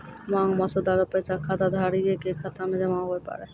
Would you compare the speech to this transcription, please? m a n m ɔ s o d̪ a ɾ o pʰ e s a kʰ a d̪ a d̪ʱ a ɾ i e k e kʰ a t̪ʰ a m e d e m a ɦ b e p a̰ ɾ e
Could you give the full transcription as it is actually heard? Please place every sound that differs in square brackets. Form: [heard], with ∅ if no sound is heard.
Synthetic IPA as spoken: m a [ŋ] m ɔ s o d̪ a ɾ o [p] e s a kʰ a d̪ a d̪ʱ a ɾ i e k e kʰ a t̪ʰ a m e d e m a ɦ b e p a̰ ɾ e